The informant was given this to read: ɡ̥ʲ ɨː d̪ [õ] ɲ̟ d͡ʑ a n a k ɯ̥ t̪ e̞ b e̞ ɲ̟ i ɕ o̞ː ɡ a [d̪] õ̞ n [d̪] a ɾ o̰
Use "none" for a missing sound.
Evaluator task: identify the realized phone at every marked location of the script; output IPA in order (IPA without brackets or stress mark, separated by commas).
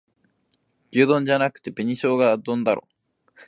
õ, d̪, d̪